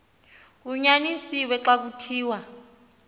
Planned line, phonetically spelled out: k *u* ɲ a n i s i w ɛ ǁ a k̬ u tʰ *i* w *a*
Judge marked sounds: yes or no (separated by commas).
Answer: yes, no, yes